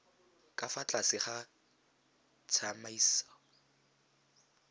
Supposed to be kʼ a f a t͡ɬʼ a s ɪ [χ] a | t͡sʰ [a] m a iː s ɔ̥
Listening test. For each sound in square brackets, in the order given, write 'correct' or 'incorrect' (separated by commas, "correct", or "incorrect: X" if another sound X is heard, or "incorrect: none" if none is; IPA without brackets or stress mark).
correct, correct